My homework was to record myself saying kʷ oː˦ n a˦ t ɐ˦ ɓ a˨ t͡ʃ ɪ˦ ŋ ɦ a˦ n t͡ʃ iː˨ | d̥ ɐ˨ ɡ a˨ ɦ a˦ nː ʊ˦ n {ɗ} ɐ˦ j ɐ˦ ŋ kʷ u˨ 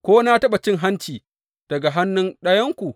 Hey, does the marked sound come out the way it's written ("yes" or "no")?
yes